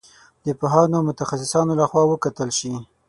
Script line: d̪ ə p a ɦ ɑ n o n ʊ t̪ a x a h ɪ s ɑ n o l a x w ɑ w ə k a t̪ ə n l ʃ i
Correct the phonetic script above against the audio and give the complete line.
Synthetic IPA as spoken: d̪ ə p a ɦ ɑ n o m ʊ t̪ a x a s ɪ s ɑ n o l a x w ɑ w ə k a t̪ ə l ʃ i